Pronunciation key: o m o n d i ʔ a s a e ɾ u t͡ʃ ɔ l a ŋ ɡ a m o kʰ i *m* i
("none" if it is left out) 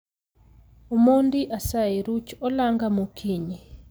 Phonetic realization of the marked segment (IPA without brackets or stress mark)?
ɲ